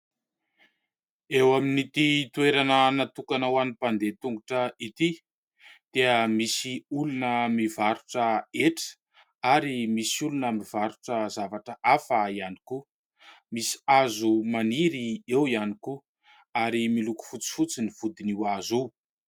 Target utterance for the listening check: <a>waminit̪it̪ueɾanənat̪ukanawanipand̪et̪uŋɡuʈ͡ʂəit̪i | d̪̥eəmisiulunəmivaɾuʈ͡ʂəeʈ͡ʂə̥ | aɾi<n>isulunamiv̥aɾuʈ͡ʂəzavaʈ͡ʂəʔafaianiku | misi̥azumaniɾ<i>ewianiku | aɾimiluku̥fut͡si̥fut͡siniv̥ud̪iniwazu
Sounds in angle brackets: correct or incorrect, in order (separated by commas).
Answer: incorrect, incorrect, correct